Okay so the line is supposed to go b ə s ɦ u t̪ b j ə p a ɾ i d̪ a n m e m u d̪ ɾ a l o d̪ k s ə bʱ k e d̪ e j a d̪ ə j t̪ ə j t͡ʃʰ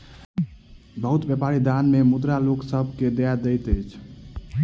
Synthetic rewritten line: b ə ɦ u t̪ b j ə p a ɾ i d̪ a n m e m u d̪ ɾ a l o k s ə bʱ k e d̪ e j a d̪ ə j t̪ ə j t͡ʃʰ